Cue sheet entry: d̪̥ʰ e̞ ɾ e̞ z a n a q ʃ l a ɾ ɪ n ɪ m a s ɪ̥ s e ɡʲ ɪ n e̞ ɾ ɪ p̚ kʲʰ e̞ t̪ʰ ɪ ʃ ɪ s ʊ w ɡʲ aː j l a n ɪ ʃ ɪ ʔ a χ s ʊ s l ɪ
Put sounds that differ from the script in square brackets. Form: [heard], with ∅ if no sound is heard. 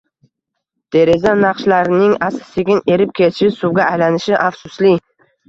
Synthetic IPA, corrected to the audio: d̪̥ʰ e̞ ɾ e̞ z a n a q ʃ l a ɾ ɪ n ɪ [ŋ] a s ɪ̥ s e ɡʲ ɪ n e̞ ɾ ɪ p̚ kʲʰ e̞ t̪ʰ ɪ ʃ ɪ s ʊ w ɡʲ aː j l a n ɪ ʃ ɪ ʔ a [f] s ʊ s l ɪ

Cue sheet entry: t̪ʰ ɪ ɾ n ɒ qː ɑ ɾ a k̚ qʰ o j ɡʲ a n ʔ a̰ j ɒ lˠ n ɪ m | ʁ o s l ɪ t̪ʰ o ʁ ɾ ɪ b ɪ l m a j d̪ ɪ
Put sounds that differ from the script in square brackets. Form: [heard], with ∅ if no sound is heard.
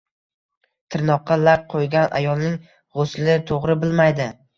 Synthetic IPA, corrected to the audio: t̪ʰ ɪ ɾ n ɒ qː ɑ [l] a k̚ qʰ o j ɡʲ a n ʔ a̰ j ɒ lˠ n ɪ [ŋ] | ʁ o s l ɪ t̪ʰ o ʁ ɾ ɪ b ɪ l m a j d̪ ɪ

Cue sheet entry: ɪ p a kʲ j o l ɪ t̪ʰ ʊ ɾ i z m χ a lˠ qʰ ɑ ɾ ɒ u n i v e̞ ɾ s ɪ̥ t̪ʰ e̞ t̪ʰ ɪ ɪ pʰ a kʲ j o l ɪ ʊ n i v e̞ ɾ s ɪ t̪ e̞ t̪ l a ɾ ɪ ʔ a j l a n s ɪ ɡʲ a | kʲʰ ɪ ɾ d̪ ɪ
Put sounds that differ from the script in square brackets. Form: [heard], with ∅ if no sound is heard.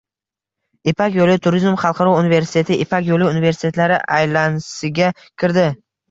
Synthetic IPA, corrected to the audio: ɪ p a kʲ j o l ɪ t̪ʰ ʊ ɾ i z m χ [ɑ] lˠ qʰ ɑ ɾ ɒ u n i v e̞ ɾ s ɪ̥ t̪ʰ e̞ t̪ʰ ɪ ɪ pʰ a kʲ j o l ɪ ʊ n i v e̞ ɾ s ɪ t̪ e̞ t̪ l a ɾ ɪ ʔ a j l a n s ɪ ɡʲ a | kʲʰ ɪ ɾ d̪ ɪ

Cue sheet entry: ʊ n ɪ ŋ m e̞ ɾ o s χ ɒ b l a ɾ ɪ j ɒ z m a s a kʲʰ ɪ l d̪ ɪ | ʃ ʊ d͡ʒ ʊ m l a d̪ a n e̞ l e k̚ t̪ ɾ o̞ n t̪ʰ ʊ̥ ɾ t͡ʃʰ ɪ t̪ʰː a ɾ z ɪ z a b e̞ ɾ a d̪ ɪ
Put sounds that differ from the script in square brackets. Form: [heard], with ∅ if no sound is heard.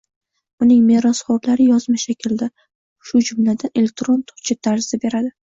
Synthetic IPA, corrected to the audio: ʊ n ɪ ŋ m e̞ ɾ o s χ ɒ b l a ɾ ɪ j ɒ z m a [ʃ] a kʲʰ ɪ l d̪ ɪ | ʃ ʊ d͡ʒ ʊ m l a d̪ a n e̞ l e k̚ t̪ ɾ o̞ n t̪ʰ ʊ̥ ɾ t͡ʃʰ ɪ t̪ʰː a ɾ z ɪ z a b e̞ ɾ a d̪ ɪ

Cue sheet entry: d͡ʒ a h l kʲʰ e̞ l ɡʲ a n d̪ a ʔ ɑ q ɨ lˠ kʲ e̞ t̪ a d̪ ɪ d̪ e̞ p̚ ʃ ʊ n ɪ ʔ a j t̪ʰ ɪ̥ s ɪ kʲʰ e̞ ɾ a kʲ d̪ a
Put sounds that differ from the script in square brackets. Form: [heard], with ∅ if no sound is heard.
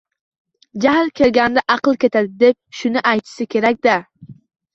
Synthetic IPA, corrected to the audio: d͡ʒ a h l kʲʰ e̞ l ɡʲ a n d̪ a ʔ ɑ q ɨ lˠ kʲ e̞ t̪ a d̪ ɪ d̪ e̞ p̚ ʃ ʊ n ɪ ʔ a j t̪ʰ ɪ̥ s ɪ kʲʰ e̞ ɾ a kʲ d̪ a

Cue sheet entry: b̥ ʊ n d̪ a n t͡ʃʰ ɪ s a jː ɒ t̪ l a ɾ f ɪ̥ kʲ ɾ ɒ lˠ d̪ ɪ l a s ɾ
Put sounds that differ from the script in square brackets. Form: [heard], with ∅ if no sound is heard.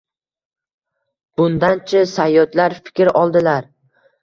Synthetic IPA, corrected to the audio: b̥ ʊ n d̪ a n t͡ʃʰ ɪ s a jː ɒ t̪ l a ɾ f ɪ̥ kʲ ɾ ɒ lˠ d̪ ɪ l a [∅] ɾ

